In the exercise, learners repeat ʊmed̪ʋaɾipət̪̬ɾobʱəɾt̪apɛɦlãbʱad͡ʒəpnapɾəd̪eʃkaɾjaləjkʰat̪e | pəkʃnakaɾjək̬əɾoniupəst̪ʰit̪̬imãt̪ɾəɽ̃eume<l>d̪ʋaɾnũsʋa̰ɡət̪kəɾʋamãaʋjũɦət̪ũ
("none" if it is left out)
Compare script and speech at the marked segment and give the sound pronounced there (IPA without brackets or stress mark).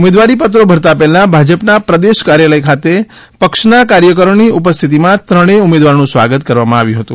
none